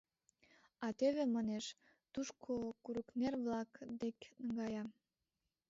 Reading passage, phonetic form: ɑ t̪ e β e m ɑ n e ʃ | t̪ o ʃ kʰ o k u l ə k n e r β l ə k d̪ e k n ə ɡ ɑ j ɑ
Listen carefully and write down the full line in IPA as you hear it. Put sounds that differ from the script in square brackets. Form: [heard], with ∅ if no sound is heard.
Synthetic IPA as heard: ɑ t̪ e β e m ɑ n e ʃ | t̪ [u] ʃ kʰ o k u [ɾ] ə k n e r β l [ɑ] k d̪ e k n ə ɡ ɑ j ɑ